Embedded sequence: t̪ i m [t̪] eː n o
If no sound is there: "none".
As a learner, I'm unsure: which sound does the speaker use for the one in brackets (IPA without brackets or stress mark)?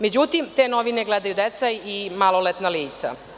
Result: t̪